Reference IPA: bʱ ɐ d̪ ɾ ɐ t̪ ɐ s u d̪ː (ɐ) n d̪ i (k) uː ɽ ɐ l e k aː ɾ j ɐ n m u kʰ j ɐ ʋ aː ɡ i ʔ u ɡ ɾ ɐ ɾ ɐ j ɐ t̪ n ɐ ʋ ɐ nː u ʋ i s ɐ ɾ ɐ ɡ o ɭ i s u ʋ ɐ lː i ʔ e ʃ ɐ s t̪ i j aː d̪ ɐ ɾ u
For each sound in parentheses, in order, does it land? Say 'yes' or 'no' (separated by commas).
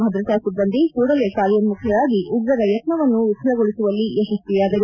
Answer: yes, yes